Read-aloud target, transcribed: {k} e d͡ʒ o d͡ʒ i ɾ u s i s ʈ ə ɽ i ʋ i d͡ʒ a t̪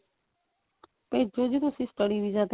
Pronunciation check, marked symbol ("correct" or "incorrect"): incorrect